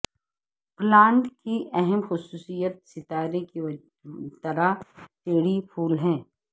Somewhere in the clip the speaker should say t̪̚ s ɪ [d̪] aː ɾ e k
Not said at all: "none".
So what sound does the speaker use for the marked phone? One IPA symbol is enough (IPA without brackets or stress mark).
t̪